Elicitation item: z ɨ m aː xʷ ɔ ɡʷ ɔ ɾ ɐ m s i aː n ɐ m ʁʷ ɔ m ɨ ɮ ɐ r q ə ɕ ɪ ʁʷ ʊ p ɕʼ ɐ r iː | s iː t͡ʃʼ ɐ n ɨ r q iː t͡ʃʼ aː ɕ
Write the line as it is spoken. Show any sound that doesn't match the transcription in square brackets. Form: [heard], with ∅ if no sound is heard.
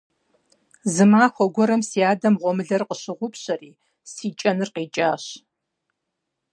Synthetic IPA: z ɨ m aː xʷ ɔ ɡʷ ɔ ɾ ɐ m s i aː [d] ɐ m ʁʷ ɔ m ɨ ɮ ɐ r q ə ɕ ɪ ʁʷ ʊ p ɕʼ ɐ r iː | s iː t͡ʃʼ ɐ n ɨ r q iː t͡ʃʼ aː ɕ